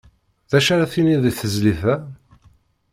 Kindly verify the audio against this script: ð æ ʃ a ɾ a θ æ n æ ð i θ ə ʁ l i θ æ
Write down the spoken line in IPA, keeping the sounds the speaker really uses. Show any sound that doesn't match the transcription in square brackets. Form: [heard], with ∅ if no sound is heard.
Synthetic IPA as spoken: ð æ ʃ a ɾ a θ [i] n [i] ð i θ ə [z] l i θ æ